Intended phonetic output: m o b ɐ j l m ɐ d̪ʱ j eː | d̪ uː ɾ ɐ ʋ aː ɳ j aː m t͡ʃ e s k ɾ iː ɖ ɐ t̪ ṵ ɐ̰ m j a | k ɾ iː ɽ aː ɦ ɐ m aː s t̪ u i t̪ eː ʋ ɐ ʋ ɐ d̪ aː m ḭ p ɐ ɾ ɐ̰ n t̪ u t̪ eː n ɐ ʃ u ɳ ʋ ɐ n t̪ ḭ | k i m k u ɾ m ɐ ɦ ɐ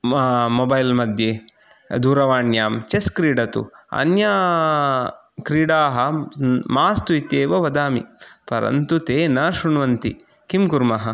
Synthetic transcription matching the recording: m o b ɐ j l m ɐ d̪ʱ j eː | d̪ uː ɾ ɐ ʋ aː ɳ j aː m t͡ʃ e s k ɾ iː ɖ ɐ t̪ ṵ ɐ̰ n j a | k ɾ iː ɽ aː ɦ ɐ m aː s t̪ u i t̪ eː ʋ ɐ ʋ ɐ d̪ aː m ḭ p ɐ ɾ ɐ̰ n t̪ u t̪ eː n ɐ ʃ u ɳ ʋ ɐ n t̪ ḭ | k i m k u ɾ m ɐ ɦ ɐ

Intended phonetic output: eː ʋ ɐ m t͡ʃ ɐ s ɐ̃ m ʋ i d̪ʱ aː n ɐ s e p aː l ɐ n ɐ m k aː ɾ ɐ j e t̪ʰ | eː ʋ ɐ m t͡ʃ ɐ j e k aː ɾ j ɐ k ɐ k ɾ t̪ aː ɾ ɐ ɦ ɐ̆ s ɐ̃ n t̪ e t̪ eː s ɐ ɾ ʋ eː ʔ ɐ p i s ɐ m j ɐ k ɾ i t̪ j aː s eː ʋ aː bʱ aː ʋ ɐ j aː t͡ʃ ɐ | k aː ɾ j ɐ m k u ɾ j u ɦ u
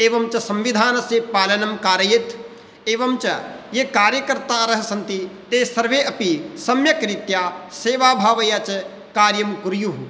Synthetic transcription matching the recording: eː ʋ ɐ m t͡ʃ ɐ s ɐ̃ m ʋ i d̪ʱ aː n ɐ s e p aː l ɐ n ɐ m k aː ɾ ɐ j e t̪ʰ | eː ʋ ɐ m t͡ʃ ɐ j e k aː ɾ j ɐ k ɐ ɾ t̪ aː ɾ ɐ ɦ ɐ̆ s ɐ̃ n t̪ i t̪ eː s ɐ ɾ ʋ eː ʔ ɐ p i s ɐ m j ɐ k ɾ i t̪ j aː s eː ʋ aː bʱ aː ʋ ɐ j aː t͡ʃ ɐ | k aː ɾ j ɐ m k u ɾ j u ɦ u

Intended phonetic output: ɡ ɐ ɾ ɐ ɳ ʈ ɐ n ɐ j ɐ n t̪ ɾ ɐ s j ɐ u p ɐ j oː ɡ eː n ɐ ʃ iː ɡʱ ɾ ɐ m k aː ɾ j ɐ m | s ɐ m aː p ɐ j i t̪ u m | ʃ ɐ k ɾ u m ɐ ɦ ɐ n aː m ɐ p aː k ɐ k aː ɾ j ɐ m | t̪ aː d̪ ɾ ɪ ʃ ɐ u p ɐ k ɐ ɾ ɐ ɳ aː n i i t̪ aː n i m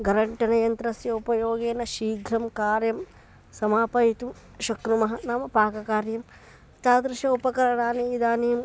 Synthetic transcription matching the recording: ɡ ɐ ɾ ɐ ɳ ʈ ɐ n ɐ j ɐ n t̪ ɾ ɐ s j ɐ u p ɐ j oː ɡ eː n ɐ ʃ iː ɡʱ ɾ ɐ m k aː ɾ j ɐ m | s ɐ m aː p ɐ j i t̪ u m | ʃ ɐ k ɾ u m ɐ ɦ ɐ n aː m ɐ p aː k ɐ k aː ɾ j ɐ m | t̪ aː d̪ ɾ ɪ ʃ ɐ u p ɐ k ɐ ɾ ɐ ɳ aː n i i d̪ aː n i m

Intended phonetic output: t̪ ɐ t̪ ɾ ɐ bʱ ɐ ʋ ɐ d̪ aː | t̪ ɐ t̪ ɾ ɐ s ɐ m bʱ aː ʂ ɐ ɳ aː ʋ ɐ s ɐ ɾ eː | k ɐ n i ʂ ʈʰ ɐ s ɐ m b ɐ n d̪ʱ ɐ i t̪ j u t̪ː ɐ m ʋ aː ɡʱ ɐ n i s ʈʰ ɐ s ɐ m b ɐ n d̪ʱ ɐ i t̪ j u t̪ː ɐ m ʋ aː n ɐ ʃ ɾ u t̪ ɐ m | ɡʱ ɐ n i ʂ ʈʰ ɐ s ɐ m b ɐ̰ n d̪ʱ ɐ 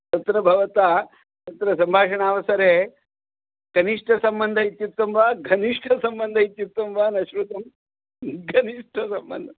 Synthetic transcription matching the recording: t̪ ɐ t̪ ɾ ɐ bʱ ɐ ʋ ɐ t̪ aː | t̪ ɐ t̪ ɾ ɐ s ɐ m bʱ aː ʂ ɐ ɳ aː ʋ ɐ s ɐ ɾ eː | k ɐ n i ʂ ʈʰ ɐ s ɐ m b ɐ n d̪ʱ ɐ i t̪ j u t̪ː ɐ m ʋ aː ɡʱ ɐ n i ʂ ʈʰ ɐ s ɐ m b ɐ n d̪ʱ ɐ i t̪ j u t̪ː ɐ m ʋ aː n ɐ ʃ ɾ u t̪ ɐ m | ɡʱ ɐ n i ʂ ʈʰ ɐ s ɐ m b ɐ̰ n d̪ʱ ɐ

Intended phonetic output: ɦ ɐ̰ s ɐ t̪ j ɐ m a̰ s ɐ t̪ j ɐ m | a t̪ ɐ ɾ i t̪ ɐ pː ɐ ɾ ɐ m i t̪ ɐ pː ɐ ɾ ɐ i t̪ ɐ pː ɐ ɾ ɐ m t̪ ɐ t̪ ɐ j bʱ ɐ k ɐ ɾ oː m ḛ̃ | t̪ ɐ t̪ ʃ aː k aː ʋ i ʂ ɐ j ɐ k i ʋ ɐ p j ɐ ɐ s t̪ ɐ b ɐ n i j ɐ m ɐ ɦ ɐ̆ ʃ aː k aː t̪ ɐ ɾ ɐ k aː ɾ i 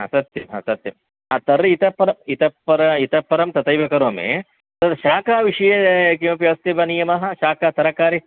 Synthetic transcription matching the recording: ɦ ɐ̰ s ɐ t̪ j ɐ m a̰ s ɐ t̪ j ɐ m | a t̪ ɐ ɾ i t̪ ɐ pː ɐ ɾ ɐ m i t̪ ɐ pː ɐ ɾ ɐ i t̪ ɐ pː ɐ ɾ ɐ m t̪ ɐ t̪ ɐ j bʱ ɐ k ɐ ɾ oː m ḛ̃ | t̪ ɐ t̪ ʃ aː k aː ʋ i ʂ ɐ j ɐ k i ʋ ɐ p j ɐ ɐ s t̪ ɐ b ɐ n i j ɐ m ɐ ɦ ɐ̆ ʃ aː k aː t̪ ɐ ɾ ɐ k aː ɾ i

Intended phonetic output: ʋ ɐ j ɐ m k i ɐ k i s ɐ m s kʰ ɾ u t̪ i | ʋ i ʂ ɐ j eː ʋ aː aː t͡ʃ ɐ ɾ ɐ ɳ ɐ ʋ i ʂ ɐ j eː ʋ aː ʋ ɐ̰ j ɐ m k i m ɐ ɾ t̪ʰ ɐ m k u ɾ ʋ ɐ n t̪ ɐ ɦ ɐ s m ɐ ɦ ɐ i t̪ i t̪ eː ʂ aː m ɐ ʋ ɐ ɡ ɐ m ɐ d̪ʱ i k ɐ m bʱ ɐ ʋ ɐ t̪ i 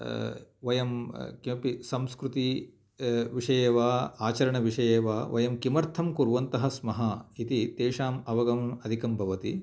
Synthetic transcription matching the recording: ʋ ɐ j ɐ m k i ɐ p i s ɐ m s k ɾ u t̪ i | ʋ i ʂ ɐ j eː ʋ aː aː t͡ʃ ɐ ɾ ɐ ɳ ɐ ʋ i ʂ ɐ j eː ʋ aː ʋ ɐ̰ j ɐ m k i m ɐ ɾ t̪ʰ ɐ m k u ɾ ʋ ɐ n t̪ ɐ ɦ ɐ s m ɐ ɦ ɐ i t̪ i t̪ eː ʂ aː m ɐ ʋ ɐ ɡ ɐ m ɐ d̪ʱ i k ɐ m bʱ ɐ ʋ ɐ t̪ i

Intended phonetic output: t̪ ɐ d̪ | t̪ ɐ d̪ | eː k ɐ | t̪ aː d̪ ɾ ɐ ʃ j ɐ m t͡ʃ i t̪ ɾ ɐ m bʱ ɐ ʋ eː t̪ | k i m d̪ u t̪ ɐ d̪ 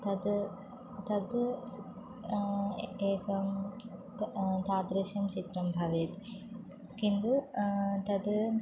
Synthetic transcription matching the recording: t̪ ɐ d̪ | t̪ ɐ d̪ | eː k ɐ | t̪ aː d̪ ɾ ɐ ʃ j ɐ m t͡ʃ i t̪ ɾ ɐ m bʱ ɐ ʋ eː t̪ | k i n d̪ u t̪ ɐ d̪

